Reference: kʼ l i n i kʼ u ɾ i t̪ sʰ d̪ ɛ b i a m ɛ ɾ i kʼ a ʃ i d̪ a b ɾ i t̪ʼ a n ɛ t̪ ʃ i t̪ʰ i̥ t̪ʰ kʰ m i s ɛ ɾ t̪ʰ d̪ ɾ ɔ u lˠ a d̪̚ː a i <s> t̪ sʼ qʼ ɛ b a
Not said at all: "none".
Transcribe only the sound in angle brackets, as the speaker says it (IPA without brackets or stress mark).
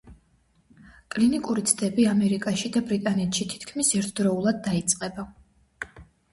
none